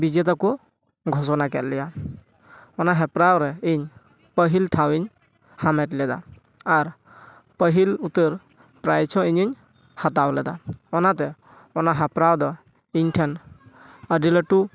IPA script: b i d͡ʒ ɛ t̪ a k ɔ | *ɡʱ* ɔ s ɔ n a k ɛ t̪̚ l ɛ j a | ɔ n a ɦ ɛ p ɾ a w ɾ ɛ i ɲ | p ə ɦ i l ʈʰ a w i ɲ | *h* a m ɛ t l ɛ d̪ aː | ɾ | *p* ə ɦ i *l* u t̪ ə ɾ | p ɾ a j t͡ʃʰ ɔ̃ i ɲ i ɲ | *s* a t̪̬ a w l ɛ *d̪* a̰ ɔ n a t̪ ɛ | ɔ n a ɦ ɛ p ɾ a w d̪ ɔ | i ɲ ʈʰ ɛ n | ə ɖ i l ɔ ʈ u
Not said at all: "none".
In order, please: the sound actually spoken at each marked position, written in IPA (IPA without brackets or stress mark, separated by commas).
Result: ɡʱ, h, p, l, h, d̪